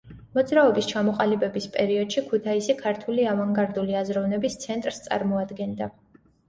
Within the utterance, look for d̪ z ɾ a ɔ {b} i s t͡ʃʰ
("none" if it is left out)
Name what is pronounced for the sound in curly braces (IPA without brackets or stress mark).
b